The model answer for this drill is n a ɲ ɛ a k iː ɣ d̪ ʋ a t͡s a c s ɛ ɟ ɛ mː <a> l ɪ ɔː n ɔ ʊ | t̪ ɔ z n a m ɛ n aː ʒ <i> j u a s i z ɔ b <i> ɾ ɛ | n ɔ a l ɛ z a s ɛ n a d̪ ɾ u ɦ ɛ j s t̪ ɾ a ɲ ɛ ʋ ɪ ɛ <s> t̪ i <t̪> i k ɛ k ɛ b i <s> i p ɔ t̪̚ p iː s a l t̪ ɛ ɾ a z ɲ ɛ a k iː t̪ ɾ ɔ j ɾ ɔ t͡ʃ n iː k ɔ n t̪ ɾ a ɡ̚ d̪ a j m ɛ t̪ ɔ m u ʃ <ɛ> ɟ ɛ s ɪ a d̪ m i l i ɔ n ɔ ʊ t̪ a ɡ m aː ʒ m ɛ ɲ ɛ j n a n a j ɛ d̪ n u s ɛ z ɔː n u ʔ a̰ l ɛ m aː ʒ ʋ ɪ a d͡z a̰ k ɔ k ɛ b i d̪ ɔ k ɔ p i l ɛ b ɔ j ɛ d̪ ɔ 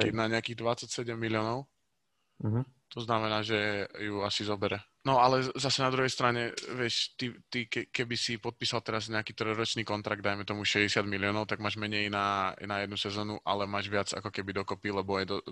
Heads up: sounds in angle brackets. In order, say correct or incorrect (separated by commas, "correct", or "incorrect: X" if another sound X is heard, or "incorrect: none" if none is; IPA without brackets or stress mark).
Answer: incorrect: i, incorrect: ɛ, incorrect: ɛ, incorrect: ʃ, correct, correct, correct